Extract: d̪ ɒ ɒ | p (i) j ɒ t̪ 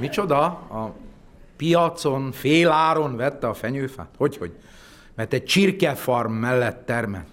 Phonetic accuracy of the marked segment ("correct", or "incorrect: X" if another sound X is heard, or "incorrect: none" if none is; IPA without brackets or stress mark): correct